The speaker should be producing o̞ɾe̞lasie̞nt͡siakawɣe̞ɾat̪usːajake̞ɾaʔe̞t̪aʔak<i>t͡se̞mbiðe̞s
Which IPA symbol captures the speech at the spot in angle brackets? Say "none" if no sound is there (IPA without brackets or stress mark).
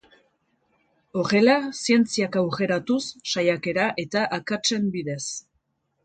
a